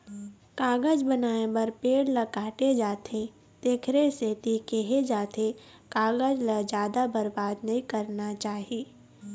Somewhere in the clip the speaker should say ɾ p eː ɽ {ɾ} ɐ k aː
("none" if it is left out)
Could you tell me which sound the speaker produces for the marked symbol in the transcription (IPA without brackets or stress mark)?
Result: l